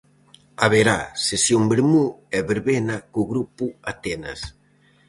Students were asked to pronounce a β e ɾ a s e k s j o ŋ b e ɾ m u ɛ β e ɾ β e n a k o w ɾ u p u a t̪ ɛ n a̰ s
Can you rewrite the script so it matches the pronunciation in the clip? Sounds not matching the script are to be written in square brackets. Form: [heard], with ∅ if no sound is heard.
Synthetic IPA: a β e ɾ a s e [∅] s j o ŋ b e ɾ m u ɛ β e ɾ β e n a k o [ɣ] ɾ u p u a t̪ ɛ n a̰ s